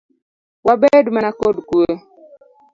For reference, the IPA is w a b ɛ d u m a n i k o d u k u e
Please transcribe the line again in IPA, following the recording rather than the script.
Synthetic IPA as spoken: w a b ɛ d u m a n a k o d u k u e